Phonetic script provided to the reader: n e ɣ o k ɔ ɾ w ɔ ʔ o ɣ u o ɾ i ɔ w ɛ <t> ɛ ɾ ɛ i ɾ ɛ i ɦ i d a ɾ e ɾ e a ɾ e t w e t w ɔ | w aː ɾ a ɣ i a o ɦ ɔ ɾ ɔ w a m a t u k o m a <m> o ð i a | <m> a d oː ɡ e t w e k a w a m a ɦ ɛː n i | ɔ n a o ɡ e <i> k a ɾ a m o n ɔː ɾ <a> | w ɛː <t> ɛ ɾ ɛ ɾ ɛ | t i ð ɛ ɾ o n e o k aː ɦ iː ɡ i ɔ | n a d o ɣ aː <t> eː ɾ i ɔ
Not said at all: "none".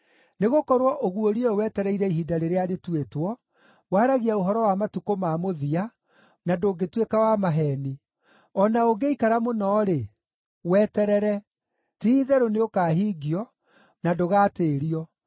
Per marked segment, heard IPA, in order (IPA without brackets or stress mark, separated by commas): t, m, n, i, e, t, t